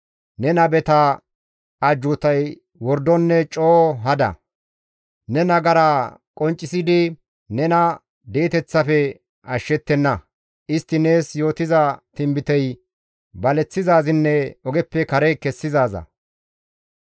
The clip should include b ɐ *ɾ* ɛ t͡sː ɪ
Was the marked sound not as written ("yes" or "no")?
yes